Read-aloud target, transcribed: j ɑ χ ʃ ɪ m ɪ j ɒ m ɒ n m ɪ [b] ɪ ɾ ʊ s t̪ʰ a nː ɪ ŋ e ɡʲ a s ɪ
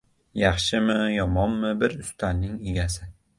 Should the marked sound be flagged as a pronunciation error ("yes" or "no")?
no